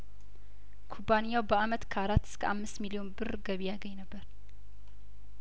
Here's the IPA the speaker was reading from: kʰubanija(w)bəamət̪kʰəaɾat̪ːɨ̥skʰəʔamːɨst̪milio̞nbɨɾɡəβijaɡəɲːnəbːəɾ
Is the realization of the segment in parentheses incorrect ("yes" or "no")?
no